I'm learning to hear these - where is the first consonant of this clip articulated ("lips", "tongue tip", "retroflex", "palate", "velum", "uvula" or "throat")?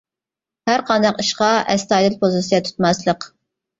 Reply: throat